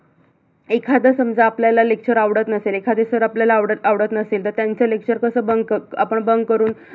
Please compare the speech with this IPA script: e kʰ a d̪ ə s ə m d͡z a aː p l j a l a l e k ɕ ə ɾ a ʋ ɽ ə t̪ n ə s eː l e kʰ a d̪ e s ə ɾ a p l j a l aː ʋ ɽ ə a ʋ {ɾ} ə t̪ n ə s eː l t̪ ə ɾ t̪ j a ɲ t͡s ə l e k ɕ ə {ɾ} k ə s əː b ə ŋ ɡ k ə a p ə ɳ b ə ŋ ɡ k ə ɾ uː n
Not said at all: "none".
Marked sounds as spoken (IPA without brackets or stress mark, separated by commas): ɽ, ɾ